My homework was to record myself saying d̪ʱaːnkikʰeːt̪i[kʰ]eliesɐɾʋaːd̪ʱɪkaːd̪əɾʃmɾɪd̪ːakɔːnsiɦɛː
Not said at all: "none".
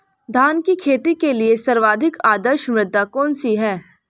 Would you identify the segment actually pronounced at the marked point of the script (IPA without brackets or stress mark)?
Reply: k